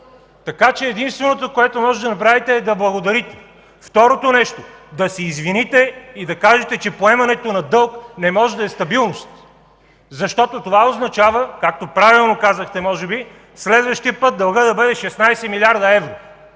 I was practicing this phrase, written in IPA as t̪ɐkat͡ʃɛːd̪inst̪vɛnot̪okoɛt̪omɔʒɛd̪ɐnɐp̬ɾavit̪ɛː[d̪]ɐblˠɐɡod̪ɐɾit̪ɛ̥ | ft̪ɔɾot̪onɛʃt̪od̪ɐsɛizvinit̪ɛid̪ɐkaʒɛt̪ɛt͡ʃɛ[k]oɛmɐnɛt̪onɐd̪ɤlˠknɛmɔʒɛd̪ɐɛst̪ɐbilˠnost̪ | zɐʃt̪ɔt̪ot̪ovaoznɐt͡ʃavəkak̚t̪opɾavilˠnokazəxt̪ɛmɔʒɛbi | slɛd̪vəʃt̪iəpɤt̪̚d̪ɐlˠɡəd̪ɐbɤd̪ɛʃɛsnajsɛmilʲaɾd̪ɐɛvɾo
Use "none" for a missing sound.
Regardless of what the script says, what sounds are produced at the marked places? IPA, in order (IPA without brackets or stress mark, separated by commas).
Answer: d̪, p